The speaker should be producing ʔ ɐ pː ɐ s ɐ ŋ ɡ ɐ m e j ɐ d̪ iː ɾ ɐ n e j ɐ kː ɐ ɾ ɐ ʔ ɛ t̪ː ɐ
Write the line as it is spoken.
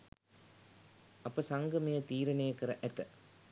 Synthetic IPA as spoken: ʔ ɐ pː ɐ s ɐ ŋ ɡ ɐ m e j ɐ t̪ iː ɾ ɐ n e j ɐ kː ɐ ɾ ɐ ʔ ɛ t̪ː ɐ